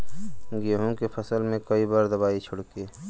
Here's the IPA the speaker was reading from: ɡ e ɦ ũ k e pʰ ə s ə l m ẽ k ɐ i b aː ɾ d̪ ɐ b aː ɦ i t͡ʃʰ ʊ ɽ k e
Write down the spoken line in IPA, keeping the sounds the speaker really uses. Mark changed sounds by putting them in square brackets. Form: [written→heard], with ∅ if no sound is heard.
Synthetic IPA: ɡ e ɦ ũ k e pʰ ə s ə l m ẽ k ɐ i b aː ɾ d̪ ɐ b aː [ɦ→∅] i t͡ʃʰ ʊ ɽ k e